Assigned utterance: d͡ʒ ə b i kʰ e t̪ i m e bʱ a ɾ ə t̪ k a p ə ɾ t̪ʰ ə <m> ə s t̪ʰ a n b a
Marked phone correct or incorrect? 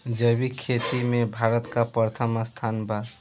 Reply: correct